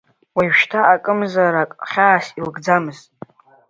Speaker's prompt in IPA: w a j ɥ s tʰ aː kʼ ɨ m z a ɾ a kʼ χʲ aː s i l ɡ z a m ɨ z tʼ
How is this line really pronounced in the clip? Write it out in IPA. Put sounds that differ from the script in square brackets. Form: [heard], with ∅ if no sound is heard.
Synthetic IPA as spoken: w a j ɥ [ʃ] tʰ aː kʼ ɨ m z a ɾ a kʼ χʲ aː s i l ɡ [d͡z] a m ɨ z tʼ